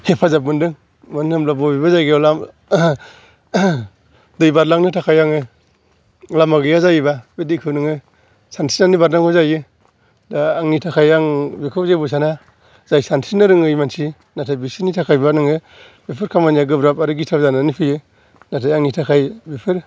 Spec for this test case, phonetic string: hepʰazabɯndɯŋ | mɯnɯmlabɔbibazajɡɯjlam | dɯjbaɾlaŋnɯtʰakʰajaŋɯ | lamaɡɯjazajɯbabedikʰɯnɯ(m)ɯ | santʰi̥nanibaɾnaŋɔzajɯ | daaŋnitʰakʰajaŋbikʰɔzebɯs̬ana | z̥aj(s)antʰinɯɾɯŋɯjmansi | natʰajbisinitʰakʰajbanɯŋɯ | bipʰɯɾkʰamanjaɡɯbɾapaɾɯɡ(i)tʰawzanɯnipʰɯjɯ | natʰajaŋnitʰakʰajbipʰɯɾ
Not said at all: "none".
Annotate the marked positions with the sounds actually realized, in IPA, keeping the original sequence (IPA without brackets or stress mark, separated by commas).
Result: ŋ, s, i